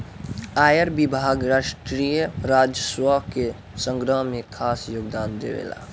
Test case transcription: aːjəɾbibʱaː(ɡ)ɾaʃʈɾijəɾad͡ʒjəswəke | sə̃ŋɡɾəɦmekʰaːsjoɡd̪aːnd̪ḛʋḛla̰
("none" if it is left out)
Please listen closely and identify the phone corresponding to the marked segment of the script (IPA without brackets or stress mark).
ɡ